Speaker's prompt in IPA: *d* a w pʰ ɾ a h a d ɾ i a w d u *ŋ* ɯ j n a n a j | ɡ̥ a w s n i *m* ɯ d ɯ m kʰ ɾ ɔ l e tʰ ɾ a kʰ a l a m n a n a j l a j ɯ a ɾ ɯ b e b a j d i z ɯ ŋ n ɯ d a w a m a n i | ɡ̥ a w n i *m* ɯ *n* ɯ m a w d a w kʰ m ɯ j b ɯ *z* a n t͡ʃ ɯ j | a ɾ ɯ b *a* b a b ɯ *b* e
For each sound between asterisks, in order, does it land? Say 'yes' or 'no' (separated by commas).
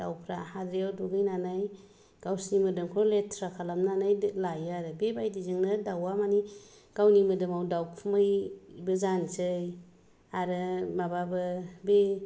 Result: yes, no, yes, yes, no, yes, yes, yes